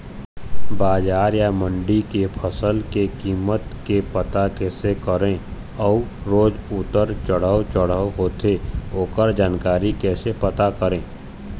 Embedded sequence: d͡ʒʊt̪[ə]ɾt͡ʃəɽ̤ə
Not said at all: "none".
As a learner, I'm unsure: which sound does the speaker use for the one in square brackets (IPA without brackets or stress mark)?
ə